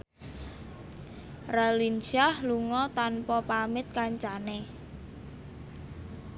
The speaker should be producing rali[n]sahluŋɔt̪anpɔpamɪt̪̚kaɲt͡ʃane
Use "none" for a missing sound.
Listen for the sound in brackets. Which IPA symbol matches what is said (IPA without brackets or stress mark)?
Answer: n